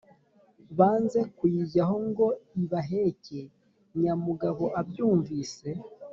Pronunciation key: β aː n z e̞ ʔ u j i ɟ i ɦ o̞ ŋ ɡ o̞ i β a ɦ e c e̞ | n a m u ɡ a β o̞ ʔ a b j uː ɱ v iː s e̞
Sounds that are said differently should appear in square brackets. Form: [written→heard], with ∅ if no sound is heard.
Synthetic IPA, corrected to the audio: β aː n z e̞ [ʔ→k] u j i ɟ [i→a] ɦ o̞ ŋ ɡ o̞ i β a ɦ e c e̞ | [n→ɲ] a m u ɡ a β o̞ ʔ a b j uː ɱ v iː s e̞